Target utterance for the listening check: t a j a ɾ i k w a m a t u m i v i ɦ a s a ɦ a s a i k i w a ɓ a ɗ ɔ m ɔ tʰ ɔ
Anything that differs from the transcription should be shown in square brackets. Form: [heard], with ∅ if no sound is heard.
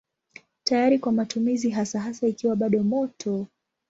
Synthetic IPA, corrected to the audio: t a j a ɾ i k w a m a t u m i [z] i ɦ a s a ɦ a s a i k i w a ɓ a ɗ ɔ m ɔ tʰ ɔ